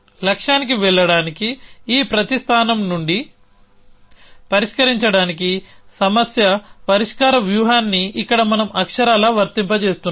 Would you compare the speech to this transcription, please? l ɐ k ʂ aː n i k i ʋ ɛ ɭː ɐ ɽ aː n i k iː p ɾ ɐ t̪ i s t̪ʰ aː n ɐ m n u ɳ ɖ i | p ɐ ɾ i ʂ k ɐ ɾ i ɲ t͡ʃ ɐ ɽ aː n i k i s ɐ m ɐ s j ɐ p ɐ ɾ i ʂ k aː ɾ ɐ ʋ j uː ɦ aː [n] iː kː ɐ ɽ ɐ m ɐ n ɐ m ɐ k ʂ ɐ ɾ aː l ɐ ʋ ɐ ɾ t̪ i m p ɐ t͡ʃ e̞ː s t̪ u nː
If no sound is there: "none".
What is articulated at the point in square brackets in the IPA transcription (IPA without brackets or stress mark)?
nː